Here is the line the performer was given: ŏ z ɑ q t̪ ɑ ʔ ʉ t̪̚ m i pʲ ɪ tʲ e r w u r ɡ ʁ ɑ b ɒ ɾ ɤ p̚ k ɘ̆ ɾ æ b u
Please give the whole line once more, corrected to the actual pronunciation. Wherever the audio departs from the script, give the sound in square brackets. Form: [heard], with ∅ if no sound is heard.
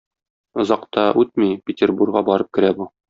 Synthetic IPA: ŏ z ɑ q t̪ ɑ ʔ ʉ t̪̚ m i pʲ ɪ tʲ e r [b] u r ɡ ʁ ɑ b ɒ ɾ ɤ p̚ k ɘ̆ ɾ æ b u